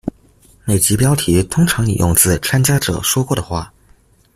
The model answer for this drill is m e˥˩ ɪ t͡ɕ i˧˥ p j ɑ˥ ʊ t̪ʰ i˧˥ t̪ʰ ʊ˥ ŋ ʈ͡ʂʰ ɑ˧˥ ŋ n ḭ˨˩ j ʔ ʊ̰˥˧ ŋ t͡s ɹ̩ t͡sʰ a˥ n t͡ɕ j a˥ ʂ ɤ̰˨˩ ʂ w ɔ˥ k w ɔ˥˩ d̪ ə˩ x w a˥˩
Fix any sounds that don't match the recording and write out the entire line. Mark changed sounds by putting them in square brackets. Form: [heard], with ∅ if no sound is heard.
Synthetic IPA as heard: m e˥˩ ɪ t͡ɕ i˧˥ p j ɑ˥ ʊ t̪ʰ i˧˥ t̪ʰ ʊ˥ ŋ ʈ͡ʂʰ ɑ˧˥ ŋ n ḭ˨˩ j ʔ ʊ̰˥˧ ŋ t͡s ɹ̩ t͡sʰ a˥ n t͡ɕ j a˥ [ʈ͡ʂ] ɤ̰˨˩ ʂ w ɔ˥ k w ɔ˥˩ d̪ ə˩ x w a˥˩